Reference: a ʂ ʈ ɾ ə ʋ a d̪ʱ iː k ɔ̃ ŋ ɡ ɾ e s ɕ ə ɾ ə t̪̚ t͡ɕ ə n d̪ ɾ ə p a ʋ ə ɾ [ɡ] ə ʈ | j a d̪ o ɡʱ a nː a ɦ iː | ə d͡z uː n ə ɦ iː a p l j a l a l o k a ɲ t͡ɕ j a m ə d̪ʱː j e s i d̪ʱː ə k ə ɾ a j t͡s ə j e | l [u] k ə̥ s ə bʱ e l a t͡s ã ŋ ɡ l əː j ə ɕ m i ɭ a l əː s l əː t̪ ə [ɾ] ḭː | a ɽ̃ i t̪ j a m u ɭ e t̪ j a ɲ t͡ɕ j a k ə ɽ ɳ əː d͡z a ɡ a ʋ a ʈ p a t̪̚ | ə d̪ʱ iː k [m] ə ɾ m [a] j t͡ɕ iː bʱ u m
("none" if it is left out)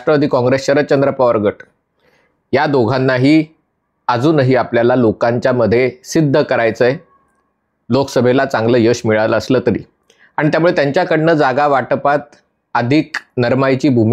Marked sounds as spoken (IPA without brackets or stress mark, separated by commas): ɡ, o, ɾ, n, a